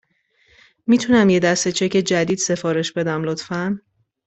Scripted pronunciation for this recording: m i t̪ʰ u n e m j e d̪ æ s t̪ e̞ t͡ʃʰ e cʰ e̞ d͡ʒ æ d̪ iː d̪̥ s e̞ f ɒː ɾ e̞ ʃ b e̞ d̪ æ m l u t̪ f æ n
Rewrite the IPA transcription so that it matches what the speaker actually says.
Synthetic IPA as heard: m i t̪ʰ u n æ m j e d̪ æ s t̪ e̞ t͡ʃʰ e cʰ e̞ d͡ʒ æ d̪ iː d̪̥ s e̞ f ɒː ɾ e̞ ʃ b e̞ d̪ æ m l o t̪ f æ n